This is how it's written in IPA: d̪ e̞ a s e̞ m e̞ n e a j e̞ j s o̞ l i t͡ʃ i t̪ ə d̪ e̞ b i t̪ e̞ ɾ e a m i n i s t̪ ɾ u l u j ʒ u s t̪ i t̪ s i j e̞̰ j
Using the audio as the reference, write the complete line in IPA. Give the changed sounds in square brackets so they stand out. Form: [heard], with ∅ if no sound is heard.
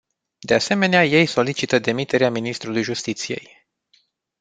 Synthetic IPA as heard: d̪ e̞ a s e̞ m e̞ n e a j e̞ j s o̞ l i t͡ʃ i t̪ ə d̪ e̞ [m] i t̪ e̞ ɾ e a m i n i s t̪ ɾ u l u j ʒ u s t̪ i t̪ s i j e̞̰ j